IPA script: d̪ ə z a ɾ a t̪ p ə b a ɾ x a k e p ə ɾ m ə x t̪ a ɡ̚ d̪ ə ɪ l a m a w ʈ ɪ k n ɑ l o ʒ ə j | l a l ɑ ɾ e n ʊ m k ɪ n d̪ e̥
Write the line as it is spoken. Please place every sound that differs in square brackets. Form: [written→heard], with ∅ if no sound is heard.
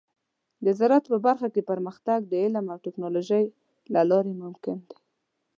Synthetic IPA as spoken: d̪ ə z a ɾ a t̪ p ə b a ɾ x a k e p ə ɾ m ə x t̪ a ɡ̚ d̪ ə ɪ l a m a w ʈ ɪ k n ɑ l o ʒ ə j | l a l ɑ ɾ e [n→m] ʊ m k ɪ n d̪ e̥